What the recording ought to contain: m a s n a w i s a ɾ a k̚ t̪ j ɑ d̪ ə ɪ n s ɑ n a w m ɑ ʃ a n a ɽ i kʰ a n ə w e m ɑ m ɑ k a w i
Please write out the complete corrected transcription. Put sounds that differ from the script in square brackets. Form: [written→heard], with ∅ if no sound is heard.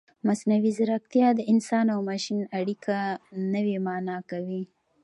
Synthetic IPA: m a s n a w i [s→z] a ɾ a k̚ t̪ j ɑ d̪ ə ɪ n s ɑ n a w m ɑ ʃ [a→i] n a ɽ i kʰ a n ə w e m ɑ [m→n] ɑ k a w i